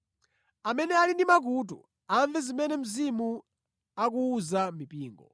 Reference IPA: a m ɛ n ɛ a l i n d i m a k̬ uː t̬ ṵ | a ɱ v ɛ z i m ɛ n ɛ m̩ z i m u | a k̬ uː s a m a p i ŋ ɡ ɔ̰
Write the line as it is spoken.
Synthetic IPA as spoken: a m ɛ n ɛ a l i n d i m a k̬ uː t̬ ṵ | a ɱ v ɛ z i m ɛ n ɛ m̩ z i m u | a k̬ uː z a m i p iː ŋ ɡ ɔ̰